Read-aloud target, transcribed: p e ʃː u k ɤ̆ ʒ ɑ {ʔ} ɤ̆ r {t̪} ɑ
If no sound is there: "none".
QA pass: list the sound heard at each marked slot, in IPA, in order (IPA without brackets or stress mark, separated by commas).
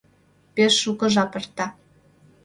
p, t̪